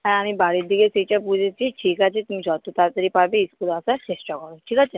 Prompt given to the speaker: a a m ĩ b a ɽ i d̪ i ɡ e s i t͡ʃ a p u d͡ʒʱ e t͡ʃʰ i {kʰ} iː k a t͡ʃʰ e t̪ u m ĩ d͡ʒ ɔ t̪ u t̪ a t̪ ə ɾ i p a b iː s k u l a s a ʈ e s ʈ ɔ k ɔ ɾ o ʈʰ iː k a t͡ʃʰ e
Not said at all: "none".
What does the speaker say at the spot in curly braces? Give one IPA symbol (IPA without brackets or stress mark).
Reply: ʈʰ